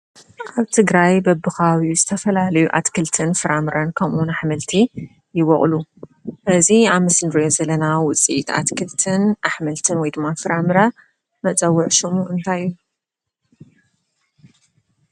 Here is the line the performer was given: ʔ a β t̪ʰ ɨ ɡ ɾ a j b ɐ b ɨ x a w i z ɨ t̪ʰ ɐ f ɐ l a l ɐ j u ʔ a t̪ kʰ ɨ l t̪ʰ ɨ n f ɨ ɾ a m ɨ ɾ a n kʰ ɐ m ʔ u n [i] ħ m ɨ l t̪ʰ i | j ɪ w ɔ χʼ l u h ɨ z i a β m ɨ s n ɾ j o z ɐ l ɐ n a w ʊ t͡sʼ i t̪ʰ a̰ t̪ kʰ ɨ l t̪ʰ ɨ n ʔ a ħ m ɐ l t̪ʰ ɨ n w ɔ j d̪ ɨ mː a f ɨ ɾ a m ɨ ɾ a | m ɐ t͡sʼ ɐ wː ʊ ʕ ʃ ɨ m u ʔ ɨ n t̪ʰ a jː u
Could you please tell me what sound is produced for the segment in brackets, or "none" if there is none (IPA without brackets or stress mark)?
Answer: a